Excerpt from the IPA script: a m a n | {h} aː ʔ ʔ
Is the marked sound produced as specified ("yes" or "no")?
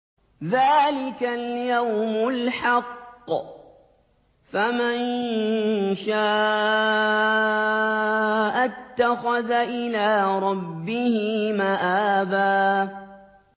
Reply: no